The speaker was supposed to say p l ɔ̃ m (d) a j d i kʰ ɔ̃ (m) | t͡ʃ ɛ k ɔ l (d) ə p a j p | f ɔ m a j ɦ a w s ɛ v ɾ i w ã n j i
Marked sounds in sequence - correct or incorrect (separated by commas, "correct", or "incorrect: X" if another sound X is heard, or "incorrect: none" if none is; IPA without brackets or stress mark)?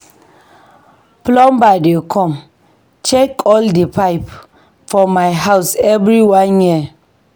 incorrect: b, correct, correct